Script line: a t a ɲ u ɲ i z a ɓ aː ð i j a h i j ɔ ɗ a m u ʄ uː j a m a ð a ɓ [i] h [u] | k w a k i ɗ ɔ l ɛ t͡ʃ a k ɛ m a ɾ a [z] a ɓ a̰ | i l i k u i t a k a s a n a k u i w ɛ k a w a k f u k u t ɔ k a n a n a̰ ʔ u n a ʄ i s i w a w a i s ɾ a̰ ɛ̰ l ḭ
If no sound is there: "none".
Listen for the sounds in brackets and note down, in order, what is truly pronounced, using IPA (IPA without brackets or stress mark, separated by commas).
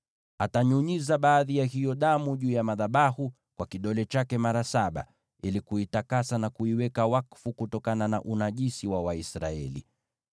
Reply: a, u, s